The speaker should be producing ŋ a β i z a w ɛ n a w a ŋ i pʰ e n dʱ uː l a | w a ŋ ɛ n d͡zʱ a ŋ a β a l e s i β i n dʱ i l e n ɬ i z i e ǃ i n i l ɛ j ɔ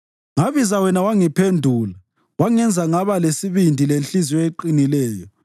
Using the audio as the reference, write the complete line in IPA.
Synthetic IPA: ŋ a β i z a w ɛ n a w a ŋ i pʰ e n dʱ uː l a | w a ŋ ɛ n d͡zʱ a ŋ a β a l e s i β i n dʱ i l e n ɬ i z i e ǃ i n i l ɛː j ɔ

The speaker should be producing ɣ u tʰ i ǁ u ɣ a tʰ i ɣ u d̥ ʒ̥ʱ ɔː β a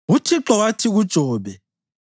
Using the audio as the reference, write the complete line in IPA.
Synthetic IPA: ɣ u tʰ i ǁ ɔ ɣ a tʰ i ɣ u d̥ ʒ̥ʱ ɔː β ɛ

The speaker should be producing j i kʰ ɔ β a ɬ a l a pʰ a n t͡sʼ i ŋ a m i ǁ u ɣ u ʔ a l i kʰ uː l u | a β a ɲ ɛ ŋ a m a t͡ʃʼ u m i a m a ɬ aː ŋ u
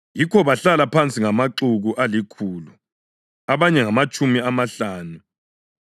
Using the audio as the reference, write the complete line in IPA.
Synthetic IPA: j i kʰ ɔ β a ɬ a l a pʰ a n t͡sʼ i ŋ a m a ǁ u ɣ u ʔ a l i kʰ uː l u | a β a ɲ ɛ ŋ a m a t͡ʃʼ u m i a m a ɬ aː n u

